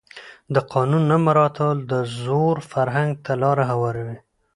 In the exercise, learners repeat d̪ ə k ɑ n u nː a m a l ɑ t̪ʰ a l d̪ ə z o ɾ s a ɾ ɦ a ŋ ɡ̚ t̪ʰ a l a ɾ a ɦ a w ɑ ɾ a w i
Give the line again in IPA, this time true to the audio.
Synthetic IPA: d̪ ə q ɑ n u nː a m a ɾ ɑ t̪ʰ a l d̪ ə z o ɾ f a ɾ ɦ a ŋ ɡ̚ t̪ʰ a l ɑ ɾ a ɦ a w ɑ ɾ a w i